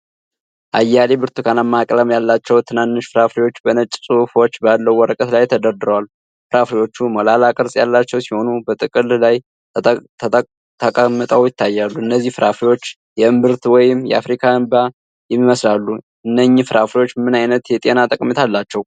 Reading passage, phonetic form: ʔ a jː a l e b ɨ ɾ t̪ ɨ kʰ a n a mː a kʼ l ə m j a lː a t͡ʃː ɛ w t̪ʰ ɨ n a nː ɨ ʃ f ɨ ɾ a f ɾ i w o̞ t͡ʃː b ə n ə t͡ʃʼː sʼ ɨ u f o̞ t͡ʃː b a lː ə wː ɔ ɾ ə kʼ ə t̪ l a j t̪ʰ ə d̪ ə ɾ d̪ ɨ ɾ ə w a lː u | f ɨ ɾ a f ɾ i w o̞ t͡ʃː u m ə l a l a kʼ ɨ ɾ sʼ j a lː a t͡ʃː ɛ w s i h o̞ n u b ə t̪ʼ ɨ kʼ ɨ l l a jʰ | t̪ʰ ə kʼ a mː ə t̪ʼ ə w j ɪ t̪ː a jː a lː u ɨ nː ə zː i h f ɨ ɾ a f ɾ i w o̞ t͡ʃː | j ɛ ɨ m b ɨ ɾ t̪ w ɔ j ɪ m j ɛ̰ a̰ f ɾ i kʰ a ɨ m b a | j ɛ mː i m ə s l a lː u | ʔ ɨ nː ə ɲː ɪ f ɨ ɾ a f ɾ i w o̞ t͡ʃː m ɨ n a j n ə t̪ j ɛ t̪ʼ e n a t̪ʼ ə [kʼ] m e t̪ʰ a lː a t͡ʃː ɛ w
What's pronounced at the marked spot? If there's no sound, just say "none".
kʼ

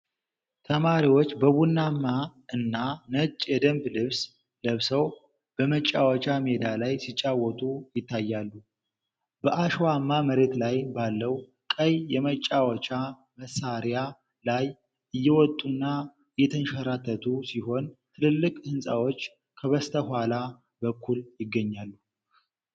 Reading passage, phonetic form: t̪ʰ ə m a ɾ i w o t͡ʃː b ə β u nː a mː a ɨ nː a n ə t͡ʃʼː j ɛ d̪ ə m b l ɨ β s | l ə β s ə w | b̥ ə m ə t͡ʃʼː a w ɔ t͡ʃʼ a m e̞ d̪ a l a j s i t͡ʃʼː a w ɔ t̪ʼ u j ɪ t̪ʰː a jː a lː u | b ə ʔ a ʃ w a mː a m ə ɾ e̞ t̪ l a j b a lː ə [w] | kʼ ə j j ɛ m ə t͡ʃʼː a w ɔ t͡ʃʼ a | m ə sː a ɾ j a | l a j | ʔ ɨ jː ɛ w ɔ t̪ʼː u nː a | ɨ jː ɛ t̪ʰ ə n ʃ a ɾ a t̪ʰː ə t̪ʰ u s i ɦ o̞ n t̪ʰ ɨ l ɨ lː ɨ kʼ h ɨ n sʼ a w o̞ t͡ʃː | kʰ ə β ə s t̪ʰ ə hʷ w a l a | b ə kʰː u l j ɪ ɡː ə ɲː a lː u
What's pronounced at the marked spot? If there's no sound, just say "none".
w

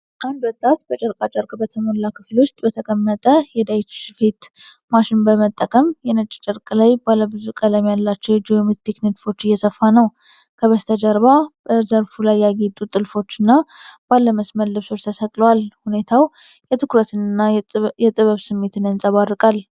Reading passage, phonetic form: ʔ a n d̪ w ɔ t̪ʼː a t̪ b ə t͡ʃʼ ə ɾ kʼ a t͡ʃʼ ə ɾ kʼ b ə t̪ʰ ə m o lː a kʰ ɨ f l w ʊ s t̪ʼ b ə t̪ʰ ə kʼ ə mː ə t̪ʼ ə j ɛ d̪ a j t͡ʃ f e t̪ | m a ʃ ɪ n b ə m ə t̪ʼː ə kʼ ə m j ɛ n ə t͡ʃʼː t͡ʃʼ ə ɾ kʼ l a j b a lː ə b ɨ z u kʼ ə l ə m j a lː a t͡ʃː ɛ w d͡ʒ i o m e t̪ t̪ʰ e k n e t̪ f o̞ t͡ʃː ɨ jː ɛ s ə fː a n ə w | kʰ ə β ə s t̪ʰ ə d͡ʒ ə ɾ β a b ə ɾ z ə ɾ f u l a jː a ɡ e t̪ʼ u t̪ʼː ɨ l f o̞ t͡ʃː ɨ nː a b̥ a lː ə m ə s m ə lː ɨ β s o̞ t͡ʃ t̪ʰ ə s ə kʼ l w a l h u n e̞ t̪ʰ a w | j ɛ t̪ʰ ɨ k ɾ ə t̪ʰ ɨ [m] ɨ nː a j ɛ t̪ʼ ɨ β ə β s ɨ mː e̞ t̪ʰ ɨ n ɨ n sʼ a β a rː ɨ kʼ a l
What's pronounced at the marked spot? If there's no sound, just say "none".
n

